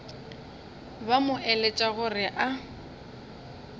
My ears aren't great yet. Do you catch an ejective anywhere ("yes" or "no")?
yes